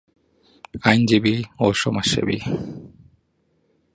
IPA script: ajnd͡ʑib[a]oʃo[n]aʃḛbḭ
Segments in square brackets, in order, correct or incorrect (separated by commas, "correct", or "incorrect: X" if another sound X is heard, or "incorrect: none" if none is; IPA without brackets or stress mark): incorrect: i, incorrect: m